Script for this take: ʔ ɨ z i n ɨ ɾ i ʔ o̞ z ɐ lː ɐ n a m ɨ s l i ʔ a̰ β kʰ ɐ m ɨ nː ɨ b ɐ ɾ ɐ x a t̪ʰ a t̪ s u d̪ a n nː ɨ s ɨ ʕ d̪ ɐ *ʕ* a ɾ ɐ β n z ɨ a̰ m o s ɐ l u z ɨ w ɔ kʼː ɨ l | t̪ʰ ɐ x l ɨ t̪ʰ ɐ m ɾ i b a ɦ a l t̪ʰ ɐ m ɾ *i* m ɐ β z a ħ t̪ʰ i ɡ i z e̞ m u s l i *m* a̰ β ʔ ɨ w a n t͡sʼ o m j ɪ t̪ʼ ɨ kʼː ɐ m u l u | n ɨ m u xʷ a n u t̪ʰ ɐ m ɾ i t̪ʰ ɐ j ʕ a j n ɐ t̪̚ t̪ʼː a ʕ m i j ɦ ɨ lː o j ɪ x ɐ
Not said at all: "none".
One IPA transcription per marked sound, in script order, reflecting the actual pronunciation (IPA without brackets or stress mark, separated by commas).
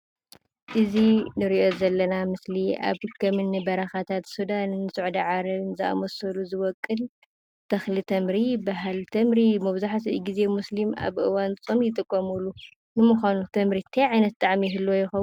ʕ, i, m